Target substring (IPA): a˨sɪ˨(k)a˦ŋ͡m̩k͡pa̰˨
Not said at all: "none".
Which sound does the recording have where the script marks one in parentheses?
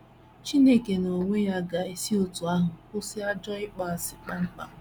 k͡p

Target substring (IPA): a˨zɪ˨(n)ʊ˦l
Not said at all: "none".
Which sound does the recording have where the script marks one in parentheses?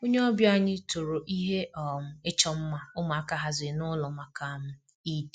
n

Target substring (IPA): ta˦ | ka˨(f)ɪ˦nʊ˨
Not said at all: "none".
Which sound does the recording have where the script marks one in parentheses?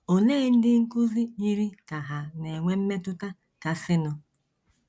s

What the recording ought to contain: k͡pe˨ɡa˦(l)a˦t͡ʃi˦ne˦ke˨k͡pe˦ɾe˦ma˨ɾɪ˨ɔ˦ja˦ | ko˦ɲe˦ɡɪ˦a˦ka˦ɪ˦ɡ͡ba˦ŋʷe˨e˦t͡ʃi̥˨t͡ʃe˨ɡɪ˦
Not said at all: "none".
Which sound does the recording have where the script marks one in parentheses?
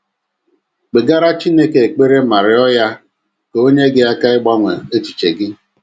ɾ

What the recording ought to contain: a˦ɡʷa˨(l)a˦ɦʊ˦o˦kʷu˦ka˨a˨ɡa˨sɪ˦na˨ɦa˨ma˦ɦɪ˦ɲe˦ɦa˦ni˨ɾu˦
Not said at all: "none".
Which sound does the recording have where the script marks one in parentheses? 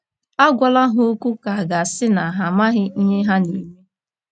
l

